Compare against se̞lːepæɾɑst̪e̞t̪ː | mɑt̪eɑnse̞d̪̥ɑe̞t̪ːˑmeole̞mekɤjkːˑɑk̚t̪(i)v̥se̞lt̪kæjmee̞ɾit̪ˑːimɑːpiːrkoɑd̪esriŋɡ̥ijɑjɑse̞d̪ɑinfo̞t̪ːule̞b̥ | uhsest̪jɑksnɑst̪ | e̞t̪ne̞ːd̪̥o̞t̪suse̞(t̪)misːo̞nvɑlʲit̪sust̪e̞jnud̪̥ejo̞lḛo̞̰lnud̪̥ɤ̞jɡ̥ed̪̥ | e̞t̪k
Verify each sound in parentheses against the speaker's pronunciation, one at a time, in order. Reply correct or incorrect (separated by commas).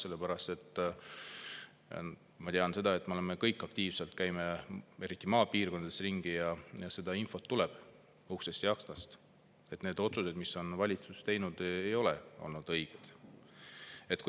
incorrect, incorrect